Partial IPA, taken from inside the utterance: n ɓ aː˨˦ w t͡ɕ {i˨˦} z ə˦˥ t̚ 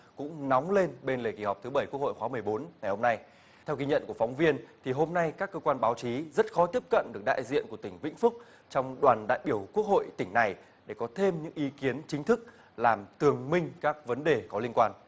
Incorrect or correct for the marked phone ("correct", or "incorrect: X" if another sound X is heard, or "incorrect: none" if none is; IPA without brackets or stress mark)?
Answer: correct